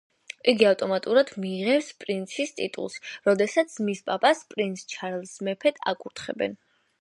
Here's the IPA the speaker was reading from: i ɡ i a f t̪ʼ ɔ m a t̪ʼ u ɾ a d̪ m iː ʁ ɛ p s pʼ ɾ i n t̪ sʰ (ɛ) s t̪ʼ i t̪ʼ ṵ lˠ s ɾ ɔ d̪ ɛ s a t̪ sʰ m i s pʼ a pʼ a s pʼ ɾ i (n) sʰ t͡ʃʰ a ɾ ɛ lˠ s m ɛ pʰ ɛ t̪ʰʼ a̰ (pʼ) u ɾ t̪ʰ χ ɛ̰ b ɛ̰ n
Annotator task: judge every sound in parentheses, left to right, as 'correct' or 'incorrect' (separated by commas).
incorrect, correct, incorrect